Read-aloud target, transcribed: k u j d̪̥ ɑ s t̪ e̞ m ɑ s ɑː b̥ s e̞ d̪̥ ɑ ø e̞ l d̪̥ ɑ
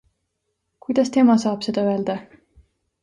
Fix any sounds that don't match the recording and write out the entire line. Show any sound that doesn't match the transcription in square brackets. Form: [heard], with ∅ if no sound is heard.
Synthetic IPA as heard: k u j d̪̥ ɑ s t̪ e̞ m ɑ s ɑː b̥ s e̞ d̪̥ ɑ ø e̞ l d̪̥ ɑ

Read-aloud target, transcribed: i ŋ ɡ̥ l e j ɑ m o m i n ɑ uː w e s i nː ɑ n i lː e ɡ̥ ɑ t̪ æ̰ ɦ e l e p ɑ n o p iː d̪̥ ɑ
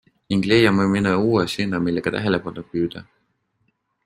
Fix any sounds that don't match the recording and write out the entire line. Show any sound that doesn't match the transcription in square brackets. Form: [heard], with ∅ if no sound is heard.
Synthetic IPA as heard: i ŋ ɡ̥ l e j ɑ m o m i n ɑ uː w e s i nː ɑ [m] i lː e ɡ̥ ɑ t̪ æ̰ ɦ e l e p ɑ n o p [yː] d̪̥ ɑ

